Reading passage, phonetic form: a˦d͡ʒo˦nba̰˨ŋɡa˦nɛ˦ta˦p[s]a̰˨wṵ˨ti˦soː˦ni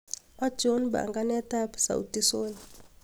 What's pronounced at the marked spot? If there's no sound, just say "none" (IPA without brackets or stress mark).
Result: s